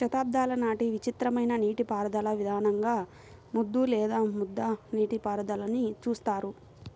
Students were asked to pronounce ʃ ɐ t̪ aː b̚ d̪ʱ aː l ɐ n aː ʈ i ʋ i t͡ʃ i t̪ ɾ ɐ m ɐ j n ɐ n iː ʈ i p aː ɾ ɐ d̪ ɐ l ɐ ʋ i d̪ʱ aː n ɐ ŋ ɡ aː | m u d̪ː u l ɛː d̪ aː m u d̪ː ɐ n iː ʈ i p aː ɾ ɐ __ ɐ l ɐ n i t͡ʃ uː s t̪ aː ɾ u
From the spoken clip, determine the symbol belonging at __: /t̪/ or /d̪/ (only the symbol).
d̪